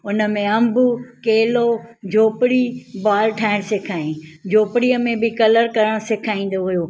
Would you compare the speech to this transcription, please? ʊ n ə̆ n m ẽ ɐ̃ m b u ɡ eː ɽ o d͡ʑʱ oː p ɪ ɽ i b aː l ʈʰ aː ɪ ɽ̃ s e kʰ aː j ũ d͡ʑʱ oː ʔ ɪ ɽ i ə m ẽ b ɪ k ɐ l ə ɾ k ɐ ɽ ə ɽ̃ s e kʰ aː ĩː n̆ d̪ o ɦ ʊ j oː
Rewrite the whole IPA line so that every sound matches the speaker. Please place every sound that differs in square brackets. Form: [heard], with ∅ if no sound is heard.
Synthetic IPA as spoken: ʊ n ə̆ [∅] m ẽ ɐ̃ m b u [k] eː [l] o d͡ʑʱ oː p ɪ ɽ i b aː l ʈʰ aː ɪ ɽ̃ s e kʰ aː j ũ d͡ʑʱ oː [p] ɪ ɽ i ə m ẽ b ɪ k ɐ l ə ɾ k ɐ [ɾ] ə ɽ̃ s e kʰ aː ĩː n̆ d̪ o ɦ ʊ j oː